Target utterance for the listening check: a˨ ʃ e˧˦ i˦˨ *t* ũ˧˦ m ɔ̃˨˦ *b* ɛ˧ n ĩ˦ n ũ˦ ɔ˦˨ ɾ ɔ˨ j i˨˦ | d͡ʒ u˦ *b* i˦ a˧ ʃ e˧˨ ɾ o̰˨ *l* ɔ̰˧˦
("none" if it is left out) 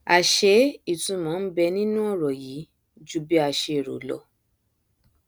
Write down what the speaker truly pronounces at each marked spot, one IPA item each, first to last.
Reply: t, b, b, l

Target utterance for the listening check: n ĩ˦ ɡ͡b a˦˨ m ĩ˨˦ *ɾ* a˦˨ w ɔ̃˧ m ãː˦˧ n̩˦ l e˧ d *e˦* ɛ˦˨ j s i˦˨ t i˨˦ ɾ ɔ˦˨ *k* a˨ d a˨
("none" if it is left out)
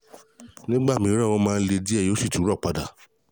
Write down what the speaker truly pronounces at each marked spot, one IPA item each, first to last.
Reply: ɾ, i˦, k͡p

